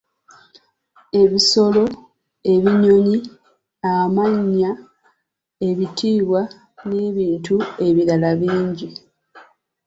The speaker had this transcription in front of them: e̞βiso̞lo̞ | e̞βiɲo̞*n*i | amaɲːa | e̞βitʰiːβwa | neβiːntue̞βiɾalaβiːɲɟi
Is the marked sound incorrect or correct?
incorrect